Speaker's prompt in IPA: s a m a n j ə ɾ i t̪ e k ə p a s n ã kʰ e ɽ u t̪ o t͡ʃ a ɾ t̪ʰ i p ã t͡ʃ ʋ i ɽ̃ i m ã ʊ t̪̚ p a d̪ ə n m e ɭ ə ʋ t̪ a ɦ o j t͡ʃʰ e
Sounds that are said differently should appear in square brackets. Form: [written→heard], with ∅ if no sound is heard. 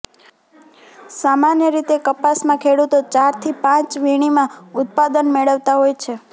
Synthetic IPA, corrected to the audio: s a m a n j ə ɾ i t̪ e k ə p a s [n→m] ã kʰ e ɽ u t̪ o t͡ʃ a ɾ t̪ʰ i p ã t͡ʃ ʋ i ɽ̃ i m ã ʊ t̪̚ p a d̪ ə n m e ɭ ə ʋ t̪ a ɦ o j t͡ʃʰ e